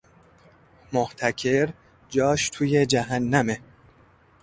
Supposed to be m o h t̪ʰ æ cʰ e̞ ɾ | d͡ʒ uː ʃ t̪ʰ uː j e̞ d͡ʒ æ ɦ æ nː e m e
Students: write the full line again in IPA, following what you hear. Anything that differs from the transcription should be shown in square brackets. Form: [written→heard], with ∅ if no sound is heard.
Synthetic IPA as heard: m o h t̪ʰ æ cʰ e̞ ɾ | d͡ʒ [uː→ɒː] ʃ t̪ʰ uː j e̞ d͡ʒ æ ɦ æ nː [e→æ] m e